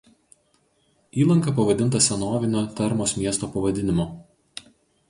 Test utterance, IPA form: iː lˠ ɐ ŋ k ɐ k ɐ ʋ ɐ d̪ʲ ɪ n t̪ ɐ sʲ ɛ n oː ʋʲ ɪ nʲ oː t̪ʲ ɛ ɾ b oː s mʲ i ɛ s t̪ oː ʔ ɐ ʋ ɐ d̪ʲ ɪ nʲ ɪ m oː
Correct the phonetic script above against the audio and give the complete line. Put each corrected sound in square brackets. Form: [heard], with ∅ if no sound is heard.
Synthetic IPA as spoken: iː lˠ ɐ ŋ k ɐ [p] ɐ ʋ ɐ d̪ʲ ɪ n t̪ ɐ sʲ ɛ n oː ʋʲ ɪ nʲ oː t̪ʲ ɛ ɾ [m] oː s mʲ i ɛ s t̪ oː [p] ɐ ʋ ɐ d̪ʲ ɪ nʲ ɪ m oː

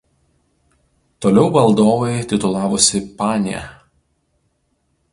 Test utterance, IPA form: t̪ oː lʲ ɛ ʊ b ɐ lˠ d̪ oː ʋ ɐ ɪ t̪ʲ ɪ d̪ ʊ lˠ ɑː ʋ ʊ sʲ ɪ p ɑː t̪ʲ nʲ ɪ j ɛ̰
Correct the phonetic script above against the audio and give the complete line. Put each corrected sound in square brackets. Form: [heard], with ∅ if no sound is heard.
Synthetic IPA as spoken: t̪ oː lʲ ɛ ʊ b ɐ lˠ d̪ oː ʋ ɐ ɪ t̪ʲ ɪ [t̪] ʊ lˠ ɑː ʋ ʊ sʲ ɪ p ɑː [∅] nʲ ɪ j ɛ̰

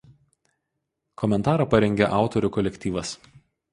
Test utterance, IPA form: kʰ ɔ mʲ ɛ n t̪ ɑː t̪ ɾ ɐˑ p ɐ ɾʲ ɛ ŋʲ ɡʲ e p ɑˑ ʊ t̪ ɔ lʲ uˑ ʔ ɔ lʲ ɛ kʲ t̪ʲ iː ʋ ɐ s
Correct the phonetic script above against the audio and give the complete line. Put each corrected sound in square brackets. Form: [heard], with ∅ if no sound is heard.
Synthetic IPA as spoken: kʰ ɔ mʲ ɛ n t̪ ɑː [∅] ɾ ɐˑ p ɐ ɾʲ ɛ ŋʲ ɡʲ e [ʔ] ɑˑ ʊ t̪ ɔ [ɾʲ] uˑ [k] ɔ lʲ ɛ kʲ t̪ʲ iː ʋ ɐ s

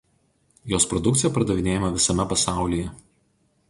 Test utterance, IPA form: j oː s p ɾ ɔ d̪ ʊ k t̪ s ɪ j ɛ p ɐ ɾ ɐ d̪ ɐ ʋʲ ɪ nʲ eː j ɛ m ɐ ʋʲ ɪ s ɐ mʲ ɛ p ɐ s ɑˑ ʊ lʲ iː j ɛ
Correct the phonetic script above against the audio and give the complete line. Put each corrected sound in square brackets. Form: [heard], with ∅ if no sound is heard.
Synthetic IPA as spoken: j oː s p ɾ ɔ d̪ ʊ k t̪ s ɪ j ɛ p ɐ ɾ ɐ d̪ ɐ ʋʲ ɪ nʲ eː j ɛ m ɐ ʋʲ ɪ s ɐ mʲ ɛ p ɐ s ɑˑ ʊ lʲ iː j ɛ

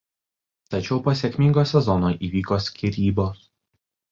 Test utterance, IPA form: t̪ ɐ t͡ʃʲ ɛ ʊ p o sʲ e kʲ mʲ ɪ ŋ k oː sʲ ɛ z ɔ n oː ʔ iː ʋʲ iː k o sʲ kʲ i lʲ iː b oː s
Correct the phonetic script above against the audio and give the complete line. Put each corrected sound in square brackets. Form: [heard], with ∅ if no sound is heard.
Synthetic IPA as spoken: t̪ ɐ t͡ʃʲ ɛ ʊ p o sʲ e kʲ mʲ ɪ ŋ [ɡ] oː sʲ ɛ z ɔ n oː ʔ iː ʋʲ iː k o sʲ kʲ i [ɾʲ] iː b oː s

